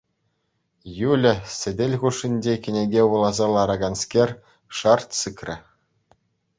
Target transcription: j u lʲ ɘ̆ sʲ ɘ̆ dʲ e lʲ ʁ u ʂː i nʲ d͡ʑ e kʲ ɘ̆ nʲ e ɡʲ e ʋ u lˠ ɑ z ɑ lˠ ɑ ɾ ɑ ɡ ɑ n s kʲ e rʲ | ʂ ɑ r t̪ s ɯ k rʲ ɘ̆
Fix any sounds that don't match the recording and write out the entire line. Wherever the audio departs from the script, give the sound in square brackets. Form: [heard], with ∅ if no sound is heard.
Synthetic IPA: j u lʲ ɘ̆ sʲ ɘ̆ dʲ e lʲ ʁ u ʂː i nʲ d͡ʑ e kʲ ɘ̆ nʲ e ɡʲ e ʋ u lˠ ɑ z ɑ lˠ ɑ ɾ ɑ ɡ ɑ n s kʲ e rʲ | ʂ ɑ r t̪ s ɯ k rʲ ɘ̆